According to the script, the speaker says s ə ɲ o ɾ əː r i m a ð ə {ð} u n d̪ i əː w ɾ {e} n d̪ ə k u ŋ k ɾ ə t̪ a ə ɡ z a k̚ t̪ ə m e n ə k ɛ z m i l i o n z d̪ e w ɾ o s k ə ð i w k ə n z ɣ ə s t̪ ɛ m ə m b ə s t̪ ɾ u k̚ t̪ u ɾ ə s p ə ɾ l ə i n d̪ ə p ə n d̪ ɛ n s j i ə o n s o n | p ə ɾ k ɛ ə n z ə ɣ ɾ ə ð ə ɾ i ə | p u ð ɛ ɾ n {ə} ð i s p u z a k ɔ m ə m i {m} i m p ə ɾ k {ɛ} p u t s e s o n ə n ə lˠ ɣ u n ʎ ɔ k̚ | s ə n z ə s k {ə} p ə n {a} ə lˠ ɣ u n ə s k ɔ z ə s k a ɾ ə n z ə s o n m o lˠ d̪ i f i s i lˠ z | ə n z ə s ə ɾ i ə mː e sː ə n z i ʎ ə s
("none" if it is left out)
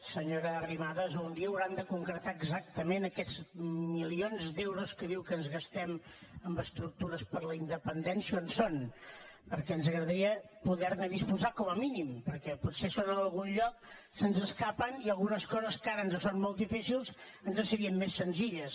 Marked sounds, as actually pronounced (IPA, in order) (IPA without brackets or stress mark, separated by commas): z, a, ə, n, ɛ, a, i